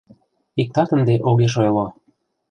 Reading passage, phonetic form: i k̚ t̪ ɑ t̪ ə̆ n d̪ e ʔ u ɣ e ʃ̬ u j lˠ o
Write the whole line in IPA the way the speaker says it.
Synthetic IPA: i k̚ t̪ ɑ t̪ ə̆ n d̪ e ʔ o ɣ e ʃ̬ o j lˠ o